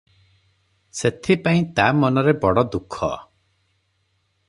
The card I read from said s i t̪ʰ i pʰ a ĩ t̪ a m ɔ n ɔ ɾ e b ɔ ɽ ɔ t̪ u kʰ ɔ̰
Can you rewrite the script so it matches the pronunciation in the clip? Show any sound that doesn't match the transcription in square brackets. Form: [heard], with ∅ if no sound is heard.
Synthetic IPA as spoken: s [e] t̪ʰ i [p] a ĩ t̪ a m ɔ n ɔ ɾ e b ɔ ɽ ɔ [d̪] u kʰ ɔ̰